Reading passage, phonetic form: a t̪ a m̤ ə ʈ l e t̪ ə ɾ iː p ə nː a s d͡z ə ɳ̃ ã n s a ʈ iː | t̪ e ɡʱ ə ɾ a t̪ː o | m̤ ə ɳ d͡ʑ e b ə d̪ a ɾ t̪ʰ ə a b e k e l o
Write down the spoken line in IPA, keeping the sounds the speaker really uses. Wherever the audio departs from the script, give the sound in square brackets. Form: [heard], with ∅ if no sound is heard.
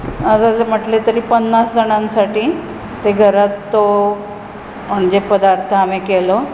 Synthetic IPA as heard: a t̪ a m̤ ə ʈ l e t̪ ə ɾ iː p ə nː a s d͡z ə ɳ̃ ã n s a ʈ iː | t̪ e ɡʱ ə ɾ a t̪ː o | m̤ ə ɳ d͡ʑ e [p] ə d̪ a ɾ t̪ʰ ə a [m] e k e l o